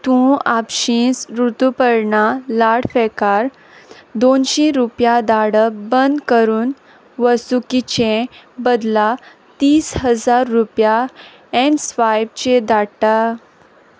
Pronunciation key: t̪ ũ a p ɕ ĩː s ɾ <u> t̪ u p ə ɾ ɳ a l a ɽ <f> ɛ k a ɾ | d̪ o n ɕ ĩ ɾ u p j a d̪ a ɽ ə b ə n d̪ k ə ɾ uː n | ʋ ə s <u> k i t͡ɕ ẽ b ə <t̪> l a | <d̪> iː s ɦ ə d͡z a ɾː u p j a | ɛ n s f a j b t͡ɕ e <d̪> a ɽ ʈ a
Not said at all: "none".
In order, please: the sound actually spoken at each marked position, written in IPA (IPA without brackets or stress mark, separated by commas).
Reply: u, f, u, d̪, t̪, d̪